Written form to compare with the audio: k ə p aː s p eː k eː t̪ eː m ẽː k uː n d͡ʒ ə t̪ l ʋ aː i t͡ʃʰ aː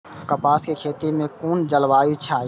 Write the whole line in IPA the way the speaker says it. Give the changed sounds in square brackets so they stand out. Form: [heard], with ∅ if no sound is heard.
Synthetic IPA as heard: k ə p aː s [k] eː [kʰ] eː t̪ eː m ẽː k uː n d͡ʒ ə [∅] l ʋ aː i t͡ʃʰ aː